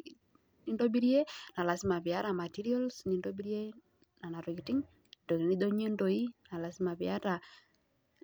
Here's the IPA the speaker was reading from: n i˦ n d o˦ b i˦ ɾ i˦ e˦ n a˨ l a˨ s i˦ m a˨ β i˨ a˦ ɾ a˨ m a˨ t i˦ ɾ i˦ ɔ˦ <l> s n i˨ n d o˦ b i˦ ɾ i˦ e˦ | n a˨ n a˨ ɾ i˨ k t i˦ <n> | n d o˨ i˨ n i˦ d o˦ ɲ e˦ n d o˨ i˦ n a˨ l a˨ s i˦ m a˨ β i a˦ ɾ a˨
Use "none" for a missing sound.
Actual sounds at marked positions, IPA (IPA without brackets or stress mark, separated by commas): l, ŋ